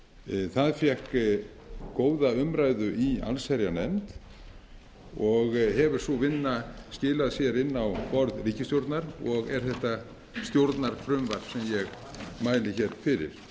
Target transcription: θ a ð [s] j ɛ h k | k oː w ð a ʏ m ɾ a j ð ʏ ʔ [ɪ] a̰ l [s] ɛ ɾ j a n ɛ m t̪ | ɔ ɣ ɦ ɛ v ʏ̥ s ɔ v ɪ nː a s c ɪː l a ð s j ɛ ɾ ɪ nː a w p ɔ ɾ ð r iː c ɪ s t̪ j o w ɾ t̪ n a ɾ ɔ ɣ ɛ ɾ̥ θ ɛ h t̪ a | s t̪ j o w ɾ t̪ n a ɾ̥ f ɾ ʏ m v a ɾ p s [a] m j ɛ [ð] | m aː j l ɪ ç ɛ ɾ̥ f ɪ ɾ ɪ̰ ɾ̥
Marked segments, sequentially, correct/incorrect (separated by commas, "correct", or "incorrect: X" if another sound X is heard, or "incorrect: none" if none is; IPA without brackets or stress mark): incorrect: f, incorrect: i, correct, incorrect: ɛ, incorrect: ɣ